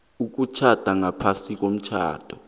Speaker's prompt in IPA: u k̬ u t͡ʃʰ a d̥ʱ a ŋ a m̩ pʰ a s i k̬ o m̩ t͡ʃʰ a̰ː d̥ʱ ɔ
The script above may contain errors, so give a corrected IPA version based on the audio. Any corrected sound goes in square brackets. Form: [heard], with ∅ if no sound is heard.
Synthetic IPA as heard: u k̬ u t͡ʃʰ a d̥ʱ a ŋ a [∅] pʰ a s i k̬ o m̩ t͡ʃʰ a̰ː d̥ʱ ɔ